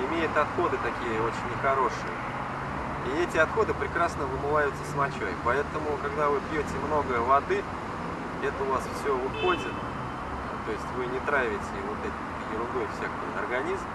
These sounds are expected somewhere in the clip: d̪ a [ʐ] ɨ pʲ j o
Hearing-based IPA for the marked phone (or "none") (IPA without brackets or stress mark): v